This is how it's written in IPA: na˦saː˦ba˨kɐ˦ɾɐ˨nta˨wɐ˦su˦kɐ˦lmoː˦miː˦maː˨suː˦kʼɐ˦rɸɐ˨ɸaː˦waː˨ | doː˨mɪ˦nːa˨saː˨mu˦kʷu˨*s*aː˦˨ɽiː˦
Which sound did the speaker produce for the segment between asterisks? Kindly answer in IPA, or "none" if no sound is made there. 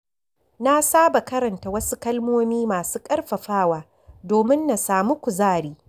z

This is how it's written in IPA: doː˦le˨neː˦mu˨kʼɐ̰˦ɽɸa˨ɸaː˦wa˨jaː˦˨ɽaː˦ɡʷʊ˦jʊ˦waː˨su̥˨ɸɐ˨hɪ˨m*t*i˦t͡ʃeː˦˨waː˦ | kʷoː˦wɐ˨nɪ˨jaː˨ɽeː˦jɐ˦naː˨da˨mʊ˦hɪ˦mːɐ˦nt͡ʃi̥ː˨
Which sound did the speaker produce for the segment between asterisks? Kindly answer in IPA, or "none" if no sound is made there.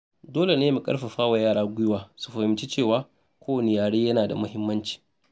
t͡ʃ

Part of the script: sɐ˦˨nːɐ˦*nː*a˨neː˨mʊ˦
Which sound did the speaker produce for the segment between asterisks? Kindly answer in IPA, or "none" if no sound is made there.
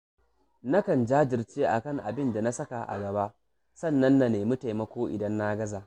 nː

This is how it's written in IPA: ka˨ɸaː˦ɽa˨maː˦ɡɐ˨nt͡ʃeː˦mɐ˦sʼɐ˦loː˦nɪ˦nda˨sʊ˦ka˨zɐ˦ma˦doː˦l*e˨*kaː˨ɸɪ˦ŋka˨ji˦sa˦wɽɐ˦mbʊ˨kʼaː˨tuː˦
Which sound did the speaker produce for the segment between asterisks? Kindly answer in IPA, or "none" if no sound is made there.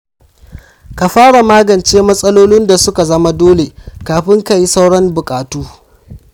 e˨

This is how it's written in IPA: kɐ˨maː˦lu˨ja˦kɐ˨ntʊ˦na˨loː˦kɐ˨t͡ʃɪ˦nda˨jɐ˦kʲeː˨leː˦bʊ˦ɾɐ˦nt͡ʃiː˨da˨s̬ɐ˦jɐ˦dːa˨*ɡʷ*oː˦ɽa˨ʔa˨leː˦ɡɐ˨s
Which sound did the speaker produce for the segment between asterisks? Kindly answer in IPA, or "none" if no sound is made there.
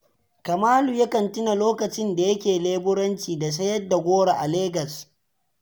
ɡʷ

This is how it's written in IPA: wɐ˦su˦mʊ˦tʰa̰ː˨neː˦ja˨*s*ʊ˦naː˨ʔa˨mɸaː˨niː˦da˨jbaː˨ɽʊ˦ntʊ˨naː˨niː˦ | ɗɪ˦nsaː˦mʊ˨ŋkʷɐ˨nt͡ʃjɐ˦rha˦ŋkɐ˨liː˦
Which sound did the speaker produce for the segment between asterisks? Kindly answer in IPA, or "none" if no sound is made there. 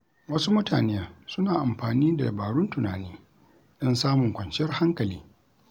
s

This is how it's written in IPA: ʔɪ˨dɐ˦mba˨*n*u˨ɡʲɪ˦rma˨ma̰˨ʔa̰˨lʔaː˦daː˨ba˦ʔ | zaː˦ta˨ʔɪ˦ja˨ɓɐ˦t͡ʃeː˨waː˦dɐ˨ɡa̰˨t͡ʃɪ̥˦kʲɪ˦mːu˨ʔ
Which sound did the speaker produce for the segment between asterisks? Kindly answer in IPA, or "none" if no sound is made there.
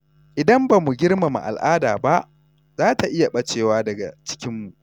m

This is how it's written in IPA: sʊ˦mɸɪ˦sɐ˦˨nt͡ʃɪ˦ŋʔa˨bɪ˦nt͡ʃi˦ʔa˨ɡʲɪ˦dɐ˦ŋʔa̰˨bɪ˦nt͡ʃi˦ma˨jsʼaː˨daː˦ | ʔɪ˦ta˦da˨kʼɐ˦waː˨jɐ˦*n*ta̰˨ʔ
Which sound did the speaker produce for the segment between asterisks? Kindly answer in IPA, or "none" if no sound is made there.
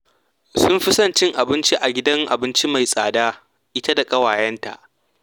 n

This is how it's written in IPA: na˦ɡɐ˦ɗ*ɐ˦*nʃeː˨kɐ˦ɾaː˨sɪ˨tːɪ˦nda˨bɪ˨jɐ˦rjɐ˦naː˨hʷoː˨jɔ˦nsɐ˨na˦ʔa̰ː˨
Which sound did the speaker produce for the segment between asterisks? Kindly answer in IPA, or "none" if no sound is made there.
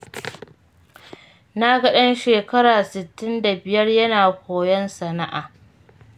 ɐ˦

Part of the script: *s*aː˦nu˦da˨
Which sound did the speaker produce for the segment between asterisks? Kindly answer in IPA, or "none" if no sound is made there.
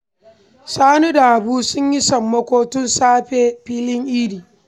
s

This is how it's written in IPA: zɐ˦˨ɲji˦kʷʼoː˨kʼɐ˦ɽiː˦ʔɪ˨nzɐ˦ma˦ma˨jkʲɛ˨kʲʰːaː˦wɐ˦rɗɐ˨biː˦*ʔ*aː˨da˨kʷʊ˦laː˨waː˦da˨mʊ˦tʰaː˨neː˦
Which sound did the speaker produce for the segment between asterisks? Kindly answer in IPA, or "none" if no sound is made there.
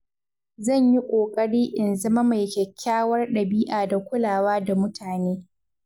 ʔ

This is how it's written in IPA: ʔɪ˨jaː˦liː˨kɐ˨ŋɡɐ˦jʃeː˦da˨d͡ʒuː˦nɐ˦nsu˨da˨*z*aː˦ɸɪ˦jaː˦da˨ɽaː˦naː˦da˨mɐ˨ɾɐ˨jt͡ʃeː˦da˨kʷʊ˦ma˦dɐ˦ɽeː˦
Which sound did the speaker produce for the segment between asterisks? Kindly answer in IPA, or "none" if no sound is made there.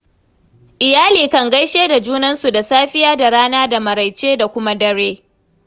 s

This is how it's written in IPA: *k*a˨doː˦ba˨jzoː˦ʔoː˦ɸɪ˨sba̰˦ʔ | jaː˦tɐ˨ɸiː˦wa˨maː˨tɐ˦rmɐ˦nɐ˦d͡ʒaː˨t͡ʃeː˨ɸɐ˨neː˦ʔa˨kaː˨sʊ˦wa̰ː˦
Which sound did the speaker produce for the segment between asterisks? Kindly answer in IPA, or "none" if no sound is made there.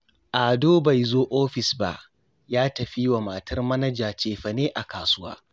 ʔ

